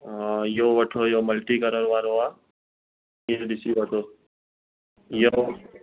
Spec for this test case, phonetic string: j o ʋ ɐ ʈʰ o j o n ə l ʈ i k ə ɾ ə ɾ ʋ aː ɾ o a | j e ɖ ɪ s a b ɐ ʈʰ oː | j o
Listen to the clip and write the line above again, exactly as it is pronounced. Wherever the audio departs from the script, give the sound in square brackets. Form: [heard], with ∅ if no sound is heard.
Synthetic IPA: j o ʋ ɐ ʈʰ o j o [m] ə l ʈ i k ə ɾ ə ɾ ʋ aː ɾ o a | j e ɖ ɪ s [i] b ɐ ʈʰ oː | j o